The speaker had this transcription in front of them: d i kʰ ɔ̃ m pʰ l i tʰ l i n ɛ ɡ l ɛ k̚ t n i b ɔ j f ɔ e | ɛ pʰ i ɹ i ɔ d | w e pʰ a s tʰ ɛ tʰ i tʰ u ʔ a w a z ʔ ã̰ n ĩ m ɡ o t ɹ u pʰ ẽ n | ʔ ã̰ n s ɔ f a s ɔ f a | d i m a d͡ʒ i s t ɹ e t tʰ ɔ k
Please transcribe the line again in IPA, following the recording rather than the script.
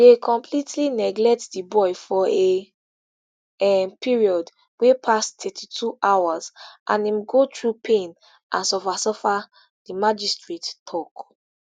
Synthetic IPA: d e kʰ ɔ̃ m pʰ l i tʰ l i n ɛ ɡ l ɛ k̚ t d i b ɔ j f ɔ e | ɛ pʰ i ɹ i ɔ d | w e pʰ a s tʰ ɛ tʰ i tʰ u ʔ a w a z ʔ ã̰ n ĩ m ɡ o t ɹ u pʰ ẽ n | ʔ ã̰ n s ɔ f a s ɔ f a | d i m a d͡ʒ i s t ɹ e t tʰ ɔ k